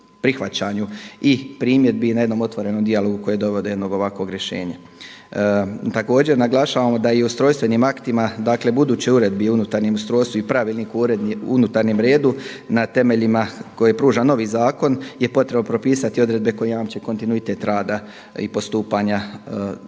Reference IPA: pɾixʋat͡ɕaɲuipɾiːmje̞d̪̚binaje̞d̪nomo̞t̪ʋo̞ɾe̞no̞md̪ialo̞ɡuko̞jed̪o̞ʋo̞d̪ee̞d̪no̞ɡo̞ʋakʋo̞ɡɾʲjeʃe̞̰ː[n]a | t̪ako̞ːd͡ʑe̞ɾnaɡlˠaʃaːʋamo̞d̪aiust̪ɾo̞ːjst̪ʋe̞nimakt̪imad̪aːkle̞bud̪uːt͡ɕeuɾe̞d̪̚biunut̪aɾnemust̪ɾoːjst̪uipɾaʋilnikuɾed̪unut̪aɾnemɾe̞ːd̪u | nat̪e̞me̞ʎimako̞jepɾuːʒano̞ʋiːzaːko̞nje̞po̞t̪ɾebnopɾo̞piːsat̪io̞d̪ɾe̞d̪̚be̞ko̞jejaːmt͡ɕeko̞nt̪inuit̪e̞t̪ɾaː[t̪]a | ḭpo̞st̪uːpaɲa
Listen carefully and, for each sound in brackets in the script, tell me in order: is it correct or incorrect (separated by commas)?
incorrect, incorrect